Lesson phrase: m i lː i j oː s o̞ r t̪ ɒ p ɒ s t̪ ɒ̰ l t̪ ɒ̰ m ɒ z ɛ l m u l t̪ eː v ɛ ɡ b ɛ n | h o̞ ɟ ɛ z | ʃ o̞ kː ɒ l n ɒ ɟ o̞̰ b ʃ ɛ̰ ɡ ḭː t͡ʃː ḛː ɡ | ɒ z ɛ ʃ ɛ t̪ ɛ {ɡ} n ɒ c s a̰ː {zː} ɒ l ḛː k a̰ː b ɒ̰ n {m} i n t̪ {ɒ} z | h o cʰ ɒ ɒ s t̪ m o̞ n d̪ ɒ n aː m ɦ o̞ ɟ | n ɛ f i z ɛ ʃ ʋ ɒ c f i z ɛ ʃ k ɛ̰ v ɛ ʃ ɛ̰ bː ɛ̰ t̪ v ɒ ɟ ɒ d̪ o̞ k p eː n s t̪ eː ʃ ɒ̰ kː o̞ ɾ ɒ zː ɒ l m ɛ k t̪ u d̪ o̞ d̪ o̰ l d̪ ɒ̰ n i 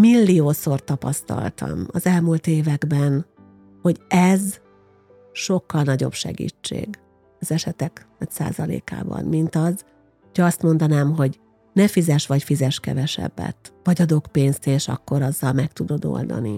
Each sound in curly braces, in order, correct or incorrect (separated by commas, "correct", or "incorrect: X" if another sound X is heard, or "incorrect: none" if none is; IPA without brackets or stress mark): incorrect: k, incorrect: z, correct, correct